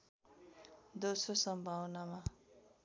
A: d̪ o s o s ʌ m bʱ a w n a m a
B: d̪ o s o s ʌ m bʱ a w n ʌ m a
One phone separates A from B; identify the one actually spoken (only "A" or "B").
A